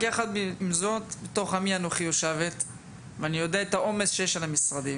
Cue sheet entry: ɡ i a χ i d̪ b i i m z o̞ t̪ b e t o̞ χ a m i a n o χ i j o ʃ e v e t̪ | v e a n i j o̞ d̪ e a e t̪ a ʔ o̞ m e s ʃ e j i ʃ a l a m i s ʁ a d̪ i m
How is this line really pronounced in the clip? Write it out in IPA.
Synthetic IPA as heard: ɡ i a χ a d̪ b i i m z o̞ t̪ b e t o̞ χ a m i a n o χ i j o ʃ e v e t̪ | v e a n i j o̞ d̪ e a e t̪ a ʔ o̞ m e s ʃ e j e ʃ a l a m i s ʁ a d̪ i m